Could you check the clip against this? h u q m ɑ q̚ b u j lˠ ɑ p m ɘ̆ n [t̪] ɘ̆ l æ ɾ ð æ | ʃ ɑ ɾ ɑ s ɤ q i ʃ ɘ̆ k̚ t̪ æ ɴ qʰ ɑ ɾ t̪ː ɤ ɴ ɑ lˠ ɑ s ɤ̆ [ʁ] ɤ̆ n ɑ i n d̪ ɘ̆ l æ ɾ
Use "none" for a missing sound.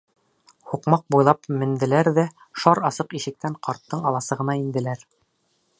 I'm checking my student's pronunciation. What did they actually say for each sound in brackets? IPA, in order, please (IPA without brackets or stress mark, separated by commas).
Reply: d̪, ʁ